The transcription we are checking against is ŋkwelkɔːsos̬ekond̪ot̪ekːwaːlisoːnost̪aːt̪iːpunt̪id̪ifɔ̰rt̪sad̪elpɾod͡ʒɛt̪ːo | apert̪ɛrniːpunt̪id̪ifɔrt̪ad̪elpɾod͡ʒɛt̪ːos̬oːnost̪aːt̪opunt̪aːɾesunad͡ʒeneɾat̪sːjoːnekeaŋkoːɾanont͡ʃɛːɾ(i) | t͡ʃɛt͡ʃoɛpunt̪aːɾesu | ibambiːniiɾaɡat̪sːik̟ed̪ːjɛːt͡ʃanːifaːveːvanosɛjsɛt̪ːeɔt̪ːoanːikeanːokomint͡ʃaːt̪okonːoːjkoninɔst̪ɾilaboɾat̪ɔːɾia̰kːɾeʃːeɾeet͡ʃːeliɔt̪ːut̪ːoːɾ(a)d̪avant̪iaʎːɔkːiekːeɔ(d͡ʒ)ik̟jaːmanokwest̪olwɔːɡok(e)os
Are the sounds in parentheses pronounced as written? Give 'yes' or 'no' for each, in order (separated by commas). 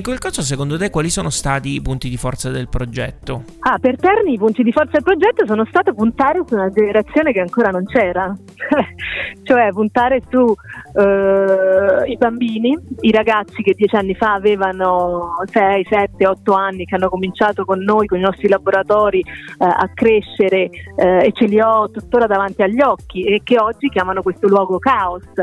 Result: no, yes, no, no